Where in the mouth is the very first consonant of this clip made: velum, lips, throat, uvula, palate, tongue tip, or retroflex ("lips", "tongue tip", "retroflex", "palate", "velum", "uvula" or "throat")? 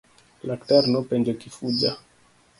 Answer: tongue tip